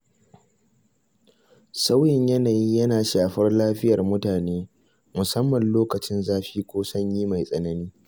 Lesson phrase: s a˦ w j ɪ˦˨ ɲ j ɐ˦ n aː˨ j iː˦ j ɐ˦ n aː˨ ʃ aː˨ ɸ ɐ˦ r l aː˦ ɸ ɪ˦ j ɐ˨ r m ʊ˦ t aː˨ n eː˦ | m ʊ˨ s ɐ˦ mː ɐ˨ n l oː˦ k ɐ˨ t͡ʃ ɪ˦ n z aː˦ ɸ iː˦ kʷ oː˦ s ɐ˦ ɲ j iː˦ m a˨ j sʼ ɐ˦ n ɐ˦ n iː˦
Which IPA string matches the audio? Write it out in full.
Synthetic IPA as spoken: s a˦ w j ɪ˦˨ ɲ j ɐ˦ n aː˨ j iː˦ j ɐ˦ n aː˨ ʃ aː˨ ɸ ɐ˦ r l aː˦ ɸ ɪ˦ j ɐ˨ r m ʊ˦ t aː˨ n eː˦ | m ʊ˨ s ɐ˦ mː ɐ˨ n l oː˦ k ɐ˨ t͡ʃ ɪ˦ n z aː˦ ɸ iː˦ kʷ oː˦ s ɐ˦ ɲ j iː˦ m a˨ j sʼ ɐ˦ n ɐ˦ n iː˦